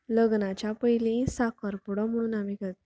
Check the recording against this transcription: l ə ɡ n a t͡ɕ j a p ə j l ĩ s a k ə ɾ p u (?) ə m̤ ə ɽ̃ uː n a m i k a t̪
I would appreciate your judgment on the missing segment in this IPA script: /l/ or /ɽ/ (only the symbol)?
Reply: ɽ